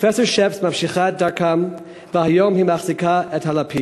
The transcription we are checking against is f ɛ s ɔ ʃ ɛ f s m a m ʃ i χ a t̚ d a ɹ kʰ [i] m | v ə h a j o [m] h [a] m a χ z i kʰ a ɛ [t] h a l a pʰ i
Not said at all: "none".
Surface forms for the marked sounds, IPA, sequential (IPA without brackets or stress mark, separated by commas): a, m, i, t